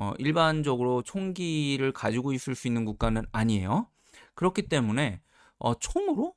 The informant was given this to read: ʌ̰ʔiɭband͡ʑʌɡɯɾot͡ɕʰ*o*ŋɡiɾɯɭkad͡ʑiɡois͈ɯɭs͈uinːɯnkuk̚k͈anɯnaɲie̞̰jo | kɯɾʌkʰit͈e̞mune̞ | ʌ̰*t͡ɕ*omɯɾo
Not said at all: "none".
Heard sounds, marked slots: o, t͡ɕʰ

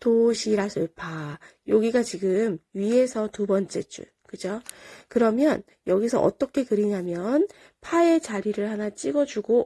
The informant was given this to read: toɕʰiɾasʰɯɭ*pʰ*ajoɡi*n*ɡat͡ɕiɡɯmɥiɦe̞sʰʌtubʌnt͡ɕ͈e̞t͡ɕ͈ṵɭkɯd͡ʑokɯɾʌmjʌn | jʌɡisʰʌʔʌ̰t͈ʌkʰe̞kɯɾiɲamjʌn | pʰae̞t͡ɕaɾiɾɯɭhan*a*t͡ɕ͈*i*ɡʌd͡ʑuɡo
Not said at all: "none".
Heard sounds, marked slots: pʰ, none, a, i

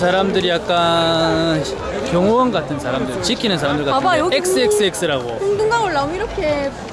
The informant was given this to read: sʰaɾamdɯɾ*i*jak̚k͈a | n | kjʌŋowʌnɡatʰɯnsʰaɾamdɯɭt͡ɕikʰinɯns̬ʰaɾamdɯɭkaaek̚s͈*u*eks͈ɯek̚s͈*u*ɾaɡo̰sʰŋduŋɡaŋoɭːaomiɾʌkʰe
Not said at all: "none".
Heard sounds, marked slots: i, ɯ, ɯ

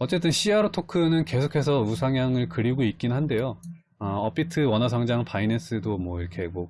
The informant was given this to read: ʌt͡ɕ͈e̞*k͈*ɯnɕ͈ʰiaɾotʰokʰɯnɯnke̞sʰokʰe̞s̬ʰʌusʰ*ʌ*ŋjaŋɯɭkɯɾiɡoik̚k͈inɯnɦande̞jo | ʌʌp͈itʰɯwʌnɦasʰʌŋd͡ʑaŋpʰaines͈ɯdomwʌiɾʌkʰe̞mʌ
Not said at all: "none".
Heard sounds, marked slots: t͈, a

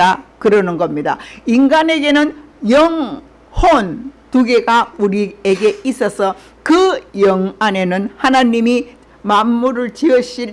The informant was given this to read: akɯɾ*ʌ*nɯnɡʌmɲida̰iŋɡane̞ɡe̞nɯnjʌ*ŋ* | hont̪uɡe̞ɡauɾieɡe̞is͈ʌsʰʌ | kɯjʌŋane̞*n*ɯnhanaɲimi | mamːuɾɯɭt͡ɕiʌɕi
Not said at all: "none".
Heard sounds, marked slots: ʌ, ŋ, n

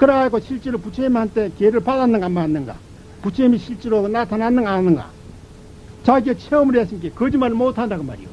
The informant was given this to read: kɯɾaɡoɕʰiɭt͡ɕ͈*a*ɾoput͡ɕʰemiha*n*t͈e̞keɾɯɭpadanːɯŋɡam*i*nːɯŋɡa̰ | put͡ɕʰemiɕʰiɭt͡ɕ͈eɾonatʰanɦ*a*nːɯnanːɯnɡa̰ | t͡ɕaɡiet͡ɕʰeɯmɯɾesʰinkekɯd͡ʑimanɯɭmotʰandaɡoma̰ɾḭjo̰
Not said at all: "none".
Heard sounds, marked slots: e, n, a, a

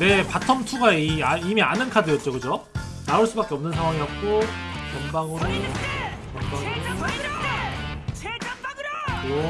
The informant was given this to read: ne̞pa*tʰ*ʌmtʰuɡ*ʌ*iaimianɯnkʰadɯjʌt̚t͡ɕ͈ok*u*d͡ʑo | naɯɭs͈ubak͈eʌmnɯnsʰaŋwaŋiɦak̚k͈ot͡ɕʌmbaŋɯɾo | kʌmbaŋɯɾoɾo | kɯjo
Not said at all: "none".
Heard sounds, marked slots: tʰ, a, ɯ

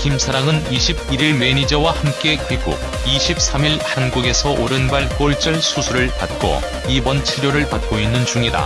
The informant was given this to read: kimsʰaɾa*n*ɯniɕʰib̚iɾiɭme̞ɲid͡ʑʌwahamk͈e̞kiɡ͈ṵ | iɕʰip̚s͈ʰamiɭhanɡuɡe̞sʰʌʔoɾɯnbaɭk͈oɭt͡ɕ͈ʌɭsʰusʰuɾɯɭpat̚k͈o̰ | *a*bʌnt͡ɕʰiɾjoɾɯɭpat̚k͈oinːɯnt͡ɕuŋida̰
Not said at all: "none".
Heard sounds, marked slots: ŋ, i

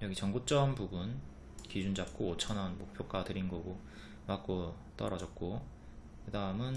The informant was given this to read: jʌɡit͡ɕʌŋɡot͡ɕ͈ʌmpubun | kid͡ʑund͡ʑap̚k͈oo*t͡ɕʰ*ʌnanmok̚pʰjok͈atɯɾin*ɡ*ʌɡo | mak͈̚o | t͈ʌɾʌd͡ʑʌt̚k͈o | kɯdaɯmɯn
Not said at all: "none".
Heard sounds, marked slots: t͡ɕʰ, ɡ

